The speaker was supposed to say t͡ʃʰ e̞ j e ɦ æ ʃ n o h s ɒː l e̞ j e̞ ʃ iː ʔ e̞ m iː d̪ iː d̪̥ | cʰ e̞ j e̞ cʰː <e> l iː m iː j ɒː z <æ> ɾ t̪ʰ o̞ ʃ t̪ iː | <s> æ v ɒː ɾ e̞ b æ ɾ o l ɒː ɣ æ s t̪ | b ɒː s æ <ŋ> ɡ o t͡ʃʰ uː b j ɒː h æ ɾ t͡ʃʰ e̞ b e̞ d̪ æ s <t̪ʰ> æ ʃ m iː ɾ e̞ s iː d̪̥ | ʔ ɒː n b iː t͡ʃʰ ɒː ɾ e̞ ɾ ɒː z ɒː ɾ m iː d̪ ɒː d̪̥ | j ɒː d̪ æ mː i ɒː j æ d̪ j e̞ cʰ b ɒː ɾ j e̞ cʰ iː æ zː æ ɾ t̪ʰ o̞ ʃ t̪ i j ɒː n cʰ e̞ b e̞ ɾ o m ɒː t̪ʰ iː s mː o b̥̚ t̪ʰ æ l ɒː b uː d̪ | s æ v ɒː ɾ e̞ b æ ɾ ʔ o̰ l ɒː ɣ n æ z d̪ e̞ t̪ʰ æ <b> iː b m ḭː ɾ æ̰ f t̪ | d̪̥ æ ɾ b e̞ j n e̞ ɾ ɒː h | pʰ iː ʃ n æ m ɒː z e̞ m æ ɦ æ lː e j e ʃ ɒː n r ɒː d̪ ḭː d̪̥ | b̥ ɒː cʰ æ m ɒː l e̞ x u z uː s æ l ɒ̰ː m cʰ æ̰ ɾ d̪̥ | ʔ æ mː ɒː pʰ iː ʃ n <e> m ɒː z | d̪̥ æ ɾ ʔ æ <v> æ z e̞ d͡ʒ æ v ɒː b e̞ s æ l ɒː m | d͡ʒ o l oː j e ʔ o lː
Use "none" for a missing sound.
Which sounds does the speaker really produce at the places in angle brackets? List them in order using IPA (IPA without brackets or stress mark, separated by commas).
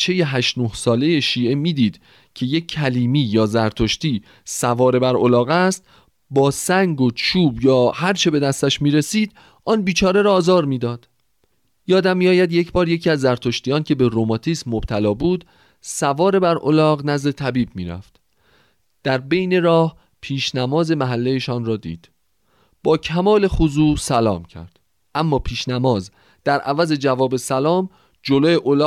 æ, æ, s, ŋ, t̪, b, æ, v